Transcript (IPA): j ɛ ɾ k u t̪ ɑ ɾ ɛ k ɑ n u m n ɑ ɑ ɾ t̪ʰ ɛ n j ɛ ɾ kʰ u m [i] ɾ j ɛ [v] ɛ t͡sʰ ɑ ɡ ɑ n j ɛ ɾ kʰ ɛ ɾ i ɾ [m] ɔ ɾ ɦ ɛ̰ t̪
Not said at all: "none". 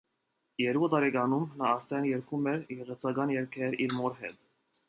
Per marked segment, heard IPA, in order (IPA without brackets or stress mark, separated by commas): ɛ, ʁ, m